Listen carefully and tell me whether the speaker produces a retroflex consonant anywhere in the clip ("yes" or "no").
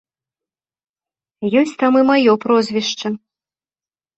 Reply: yes